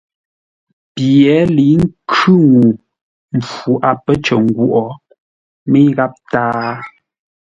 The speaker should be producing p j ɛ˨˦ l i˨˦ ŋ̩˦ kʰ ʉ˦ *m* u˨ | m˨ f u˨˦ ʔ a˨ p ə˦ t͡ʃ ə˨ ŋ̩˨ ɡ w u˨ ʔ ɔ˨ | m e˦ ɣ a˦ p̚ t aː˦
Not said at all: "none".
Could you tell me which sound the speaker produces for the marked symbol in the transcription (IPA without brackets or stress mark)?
ŋ